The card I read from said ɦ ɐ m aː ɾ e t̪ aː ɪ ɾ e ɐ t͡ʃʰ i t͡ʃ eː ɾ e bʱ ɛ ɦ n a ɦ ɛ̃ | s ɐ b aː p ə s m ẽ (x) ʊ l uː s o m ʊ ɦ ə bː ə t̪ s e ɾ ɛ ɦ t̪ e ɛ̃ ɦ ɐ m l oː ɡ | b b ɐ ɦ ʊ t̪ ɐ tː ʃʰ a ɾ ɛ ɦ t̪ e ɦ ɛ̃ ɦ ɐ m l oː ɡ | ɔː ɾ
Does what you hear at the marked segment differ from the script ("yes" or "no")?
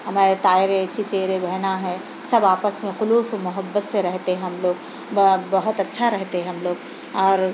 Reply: no